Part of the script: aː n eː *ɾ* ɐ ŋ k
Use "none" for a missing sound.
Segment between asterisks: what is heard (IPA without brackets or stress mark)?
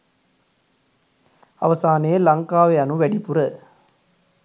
l